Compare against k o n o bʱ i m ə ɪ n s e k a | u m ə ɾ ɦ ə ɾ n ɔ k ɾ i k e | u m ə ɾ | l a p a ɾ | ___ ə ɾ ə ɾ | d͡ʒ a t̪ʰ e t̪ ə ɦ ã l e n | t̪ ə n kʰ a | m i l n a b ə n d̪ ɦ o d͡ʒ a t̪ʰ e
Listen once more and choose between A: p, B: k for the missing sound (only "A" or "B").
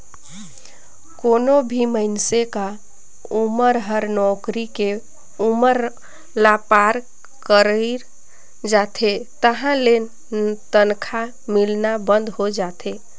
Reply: B